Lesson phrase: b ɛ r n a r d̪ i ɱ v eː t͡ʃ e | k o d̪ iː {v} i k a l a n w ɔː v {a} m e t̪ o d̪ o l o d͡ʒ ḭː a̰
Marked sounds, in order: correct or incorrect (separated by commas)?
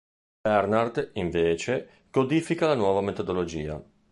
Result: incorrect, correct